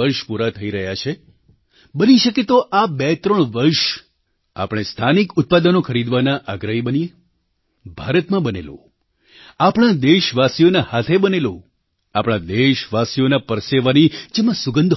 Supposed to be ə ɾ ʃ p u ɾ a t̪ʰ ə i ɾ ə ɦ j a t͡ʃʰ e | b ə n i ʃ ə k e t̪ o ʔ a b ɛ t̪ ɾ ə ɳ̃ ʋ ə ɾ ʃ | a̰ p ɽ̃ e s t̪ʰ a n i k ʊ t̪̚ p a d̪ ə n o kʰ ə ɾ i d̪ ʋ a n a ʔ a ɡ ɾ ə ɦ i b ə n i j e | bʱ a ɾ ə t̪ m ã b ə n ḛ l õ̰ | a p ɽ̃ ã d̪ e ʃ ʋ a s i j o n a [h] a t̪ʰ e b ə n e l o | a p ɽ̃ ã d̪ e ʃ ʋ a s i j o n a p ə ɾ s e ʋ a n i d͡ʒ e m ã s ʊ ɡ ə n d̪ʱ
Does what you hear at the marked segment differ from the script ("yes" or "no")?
no